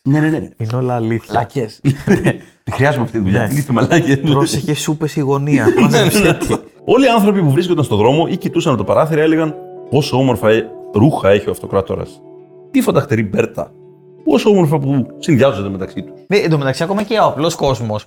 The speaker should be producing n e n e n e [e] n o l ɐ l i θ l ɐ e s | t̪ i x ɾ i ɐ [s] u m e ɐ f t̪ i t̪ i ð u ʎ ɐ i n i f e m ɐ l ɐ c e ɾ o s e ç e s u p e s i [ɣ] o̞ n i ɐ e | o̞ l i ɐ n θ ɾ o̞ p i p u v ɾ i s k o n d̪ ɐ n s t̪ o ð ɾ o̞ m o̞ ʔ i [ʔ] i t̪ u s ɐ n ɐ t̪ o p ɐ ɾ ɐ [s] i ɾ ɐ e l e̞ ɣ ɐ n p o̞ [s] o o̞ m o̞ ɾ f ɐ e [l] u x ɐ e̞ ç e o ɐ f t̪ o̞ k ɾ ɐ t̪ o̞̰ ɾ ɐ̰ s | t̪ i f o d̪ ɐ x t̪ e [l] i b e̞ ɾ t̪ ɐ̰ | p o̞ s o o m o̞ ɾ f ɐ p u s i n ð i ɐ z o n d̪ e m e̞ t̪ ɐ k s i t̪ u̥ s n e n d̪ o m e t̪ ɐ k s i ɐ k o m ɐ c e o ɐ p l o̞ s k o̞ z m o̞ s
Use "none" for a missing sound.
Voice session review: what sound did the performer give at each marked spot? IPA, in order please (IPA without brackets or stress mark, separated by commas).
i, z, ɣ, c, θ, s, ɾ, ɾ